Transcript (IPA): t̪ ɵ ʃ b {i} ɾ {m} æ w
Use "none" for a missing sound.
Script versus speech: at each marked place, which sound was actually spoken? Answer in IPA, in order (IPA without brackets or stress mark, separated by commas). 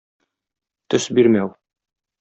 i, m